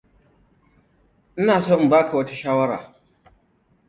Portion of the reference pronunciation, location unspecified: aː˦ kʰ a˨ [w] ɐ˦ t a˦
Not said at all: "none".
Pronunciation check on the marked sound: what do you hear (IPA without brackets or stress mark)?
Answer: w